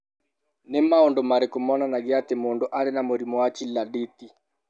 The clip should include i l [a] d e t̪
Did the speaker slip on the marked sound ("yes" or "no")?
no